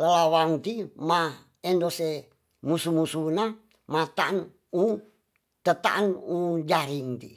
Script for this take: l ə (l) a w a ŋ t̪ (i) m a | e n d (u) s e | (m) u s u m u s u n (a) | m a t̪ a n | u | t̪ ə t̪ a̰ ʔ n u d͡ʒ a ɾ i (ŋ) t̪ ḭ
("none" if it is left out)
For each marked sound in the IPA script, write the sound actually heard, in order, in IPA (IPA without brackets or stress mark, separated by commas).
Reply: l, i, o, m, a, ŋ